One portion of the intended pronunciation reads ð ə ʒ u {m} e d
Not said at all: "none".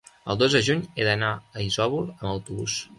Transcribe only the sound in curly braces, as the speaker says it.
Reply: ɲ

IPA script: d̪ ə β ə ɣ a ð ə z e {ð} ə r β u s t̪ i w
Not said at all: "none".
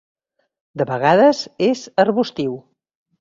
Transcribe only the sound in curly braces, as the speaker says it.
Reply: z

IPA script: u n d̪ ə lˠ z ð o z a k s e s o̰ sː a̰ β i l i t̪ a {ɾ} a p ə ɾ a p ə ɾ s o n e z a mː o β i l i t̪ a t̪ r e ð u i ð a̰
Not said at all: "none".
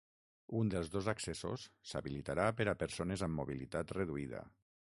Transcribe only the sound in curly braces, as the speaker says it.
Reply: ɾ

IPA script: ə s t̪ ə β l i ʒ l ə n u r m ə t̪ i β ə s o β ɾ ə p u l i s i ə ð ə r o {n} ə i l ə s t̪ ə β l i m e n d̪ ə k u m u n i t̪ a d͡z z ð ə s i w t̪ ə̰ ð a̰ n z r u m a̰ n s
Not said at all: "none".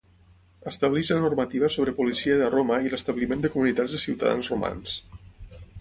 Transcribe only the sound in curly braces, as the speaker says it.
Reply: m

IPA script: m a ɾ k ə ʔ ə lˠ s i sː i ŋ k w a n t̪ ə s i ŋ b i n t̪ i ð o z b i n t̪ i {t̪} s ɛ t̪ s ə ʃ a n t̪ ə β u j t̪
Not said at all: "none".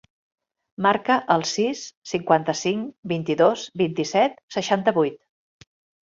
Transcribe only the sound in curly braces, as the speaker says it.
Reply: none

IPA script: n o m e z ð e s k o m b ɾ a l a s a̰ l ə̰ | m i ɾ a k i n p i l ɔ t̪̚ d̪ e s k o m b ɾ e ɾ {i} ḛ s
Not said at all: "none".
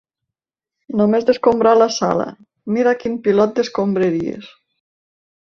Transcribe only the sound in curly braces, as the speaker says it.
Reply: i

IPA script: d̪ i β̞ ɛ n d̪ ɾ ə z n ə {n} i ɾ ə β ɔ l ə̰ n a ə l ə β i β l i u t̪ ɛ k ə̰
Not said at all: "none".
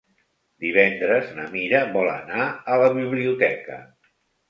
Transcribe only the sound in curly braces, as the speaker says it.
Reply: m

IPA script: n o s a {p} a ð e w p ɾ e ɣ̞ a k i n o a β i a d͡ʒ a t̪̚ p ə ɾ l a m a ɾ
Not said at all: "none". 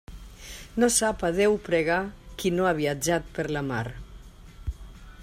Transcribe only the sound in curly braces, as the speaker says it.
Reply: p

